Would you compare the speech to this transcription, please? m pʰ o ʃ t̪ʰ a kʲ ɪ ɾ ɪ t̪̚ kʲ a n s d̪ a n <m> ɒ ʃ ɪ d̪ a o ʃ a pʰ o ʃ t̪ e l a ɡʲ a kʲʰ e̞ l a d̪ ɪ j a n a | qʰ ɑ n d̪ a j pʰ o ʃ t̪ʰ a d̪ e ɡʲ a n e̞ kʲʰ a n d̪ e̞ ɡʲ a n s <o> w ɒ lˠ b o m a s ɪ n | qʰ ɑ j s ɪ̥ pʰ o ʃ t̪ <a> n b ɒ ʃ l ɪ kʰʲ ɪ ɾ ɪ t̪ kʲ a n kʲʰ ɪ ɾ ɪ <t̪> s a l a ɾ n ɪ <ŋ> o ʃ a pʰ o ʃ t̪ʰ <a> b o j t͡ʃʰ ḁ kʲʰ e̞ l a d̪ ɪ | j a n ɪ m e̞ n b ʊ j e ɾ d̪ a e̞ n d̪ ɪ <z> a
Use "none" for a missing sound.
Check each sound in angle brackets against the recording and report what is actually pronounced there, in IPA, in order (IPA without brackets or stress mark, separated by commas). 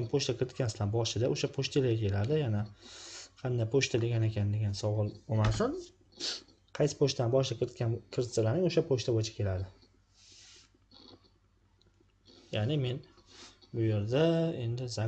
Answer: b, ɒ, a, t̪, ŋ, a, z